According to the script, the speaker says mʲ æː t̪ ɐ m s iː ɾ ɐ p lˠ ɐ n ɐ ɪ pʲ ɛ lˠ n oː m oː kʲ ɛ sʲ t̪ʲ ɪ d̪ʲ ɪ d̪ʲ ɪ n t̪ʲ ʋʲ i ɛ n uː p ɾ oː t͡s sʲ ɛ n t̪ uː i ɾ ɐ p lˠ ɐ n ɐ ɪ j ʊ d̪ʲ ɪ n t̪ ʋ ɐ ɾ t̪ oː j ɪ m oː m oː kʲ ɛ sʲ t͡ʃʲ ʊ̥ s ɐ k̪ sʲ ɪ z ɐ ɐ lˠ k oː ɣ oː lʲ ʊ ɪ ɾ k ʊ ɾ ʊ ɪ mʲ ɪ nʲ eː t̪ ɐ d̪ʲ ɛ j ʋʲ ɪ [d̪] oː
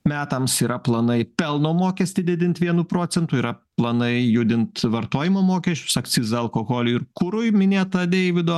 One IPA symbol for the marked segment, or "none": d̪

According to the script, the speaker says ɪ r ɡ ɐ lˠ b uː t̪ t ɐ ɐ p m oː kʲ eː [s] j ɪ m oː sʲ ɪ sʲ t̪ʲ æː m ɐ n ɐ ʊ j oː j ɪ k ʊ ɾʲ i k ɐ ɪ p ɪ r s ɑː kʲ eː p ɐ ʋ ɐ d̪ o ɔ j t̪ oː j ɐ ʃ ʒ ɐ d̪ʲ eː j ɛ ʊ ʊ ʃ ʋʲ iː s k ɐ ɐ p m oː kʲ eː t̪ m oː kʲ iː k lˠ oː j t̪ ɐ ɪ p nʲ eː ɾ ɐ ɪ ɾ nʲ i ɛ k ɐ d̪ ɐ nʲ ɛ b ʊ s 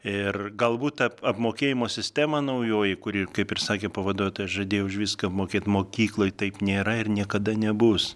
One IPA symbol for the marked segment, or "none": none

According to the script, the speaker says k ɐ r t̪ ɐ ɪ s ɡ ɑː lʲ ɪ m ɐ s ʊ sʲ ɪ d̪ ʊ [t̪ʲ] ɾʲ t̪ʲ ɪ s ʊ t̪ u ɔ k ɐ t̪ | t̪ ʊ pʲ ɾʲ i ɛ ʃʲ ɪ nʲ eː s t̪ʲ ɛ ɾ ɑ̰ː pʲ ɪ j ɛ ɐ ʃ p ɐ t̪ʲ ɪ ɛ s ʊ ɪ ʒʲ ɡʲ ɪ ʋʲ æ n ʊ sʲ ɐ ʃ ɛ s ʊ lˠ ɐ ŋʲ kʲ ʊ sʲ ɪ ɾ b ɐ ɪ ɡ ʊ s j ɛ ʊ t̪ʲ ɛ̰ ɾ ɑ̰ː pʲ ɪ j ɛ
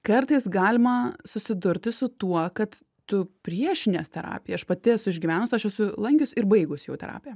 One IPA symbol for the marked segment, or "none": none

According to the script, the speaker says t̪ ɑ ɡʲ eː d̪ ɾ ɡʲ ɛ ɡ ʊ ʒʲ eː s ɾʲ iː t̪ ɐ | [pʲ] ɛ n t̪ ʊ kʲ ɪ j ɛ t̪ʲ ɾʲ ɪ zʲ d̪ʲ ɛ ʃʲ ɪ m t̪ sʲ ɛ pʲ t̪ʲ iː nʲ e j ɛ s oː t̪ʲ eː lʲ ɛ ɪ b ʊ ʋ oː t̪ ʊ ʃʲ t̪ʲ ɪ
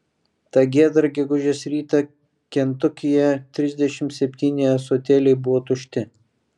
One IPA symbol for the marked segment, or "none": kʲ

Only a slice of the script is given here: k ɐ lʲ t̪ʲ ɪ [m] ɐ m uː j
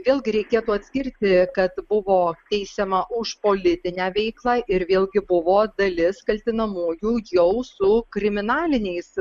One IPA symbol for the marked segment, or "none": n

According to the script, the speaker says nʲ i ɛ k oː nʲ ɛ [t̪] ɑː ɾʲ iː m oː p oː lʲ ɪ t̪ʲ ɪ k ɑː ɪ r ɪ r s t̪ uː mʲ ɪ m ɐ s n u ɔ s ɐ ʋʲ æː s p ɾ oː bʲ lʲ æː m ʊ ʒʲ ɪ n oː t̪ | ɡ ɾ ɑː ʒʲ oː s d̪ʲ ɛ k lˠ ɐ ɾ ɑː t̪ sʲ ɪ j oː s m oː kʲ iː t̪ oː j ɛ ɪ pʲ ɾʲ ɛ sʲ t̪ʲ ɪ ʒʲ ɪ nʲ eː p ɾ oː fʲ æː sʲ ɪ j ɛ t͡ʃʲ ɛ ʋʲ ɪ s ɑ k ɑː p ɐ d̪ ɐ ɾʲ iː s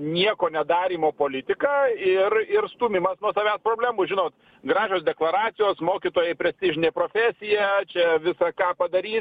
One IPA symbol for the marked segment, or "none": d̪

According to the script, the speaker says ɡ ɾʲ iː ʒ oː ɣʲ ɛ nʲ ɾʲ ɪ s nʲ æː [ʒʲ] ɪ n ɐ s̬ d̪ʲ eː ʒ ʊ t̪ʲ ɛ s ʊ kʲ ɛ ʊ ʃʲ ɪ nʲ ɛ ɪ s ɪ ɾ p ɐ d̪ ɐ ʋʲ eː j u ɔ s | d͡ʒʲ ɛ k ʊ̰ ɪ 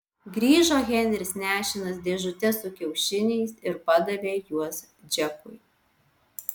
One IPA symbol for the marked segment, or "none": ʃʲ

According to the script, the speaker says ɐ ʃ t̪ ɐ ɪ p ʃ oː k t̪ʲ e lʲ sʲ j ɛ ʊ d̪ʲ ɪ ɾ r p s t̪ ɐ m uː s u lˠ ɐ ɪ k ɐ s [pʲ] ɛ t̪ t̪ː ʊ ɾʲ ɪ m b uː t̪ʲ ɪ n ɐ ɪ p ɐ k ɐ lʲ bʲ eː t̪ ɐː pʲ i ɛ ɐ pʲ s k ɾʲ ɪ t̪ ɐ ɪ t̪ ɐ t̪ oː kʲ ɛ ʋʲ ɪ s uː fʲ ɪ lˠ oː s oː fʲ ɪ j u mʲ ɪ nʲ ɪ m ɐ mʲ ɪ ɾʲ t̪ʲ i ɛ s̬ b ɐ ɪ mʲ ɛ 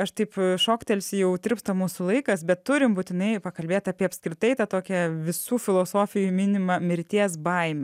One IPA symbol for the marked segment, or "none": bʲ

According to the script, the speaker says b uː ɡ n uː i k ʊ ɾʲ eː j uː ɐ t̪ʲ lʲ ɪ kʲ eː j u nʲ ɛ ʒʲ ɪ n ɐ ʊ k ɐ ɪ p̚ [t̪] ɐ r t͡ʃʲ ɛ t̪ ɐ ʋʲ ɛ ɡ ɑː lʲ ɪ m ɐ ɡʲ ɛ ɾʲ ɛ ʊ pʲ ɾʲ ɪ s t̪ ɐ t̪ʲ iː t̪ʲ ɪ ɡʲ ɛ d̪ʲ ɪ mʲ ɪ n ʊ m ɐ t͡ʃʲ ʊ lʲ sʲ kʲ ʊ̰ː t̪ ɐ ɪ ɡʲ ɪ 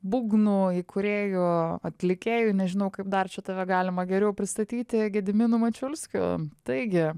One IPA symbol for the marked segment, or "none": d̪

